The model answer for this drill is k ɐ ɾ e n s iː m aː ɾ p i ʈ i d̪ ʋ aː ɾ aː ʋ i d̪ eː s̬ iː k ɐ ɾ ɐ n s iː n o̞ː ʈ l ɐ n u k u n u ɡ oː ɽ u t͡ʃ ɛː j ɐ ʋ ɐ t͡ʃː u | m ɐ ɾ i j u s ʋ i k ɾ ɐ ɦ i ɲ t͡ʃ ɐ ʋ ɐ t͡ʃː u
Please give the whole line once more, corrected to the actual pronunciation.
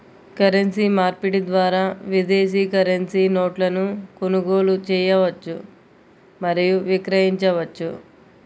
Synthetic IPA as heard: k ɐ ɾ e n s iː m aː ɾ p i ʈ i d̪ ʋ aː ɾ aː ʋ i d̪ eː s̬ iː k ɐ ɾ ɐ n s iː n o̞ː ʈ l ɐ n u k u n u ɡ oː l u t͡ʃ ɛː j ɐ ʋ ɐ t͡ʃː u | m ɐ ɾ i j u ʋ i k ɾ ɐ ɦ i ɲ t͡ʃ ɐ ʋ ɐ t͡ʃː u